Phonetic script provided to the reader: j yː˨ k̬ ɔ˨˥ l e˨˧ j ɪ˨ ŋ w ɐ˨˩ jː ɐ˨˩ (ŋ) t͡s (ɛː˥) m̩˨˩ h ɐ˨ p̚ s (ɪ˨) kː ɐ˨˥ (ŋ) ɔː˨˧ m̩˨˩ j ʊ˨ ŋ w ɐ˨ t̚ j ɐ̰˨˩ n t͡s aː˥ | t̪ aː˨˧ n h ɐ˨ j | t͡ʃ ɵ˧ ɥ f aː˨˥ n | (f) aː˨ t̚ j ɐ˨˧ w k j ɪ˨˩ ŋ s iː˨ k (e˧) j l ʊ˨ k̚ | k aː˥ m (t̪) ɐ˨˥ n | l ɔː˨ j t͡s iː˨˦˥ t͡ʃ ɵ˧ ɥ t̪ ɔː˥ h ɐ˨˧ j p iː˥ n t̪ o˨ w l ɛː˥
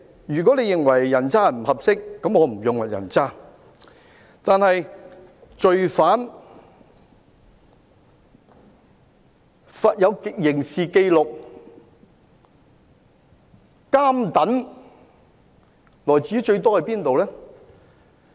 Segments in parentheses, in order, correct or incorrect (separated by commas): incorrect, incorrect, incorrect, incorrect, correct, correct, correct